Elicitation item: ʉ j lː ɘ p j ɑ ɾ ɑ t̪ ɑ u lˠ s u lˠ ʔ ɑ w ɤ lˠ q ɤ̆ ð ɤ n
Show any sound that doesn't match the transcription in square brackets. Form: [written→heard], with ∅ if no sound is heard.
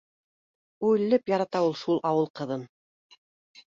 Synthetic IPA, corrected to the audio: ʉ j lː ɘ p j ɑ ɾ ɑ t̪ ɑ u lˠ [s→ʃ] u lˠ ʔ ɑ w ɤ lˠ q ɤ̆ ð ɤ n